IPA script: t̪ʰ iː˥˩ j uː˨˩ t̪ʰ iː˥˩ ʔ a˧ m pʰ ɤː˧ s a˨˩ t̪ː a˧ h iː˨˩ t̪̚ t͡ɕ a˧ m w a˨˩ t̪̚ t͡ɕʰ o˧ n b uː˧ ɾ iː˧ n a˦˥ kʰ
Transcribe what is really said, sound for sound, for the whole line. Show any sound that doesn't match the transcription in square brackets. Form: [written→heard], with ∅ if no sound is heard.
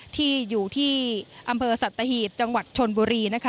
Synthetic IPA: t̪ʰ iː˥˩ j uː˨˩ t̪ʰ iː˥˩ ʔ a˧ m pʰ ɤː˧ s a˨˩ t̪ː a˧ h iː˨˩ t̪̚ t͡ɕ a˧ [m→ŋ] w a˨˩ t̪̚ t͡ɕʰ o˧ n b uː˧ ɾ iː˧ n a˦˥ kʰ